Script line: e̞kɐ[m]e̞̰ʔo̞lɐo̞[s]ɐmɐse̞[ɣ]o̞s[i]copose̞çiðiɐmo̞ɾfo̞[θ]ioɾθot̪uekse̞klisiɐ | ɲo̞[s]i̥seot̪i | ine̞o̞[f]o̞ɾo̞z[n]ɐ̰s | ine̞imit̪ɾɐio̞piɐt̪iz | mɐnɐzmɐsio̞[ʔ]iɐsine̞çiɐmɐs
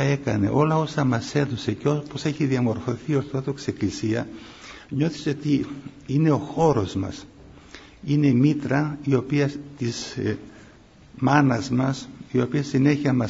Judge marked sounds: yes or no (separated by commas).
no, yes, no, no, yes, no, no, no, no